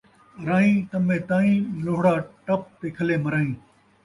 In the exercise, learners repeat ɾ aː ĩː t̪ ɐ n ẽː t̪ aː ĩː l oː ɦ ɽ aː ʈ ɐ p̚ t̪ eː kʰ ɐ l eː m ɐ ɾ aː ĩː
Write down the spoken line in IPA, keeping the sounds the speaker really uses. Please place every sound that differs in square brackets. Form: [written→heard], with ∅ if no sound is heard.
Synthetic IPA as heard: ɾ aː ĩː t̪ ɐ [n→m] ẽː t̪ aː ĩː l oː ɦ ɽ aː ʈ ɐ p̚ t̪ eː kʰ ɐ l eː m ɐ ɾ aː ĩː